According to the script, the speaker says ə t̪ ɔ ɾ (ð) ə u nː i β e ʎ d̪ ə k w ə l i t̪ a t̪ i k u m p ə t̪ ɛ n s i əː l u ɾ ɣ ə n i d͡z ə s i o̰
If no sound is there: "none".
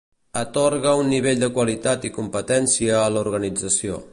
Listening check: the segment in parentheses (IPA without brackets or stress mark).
ɣ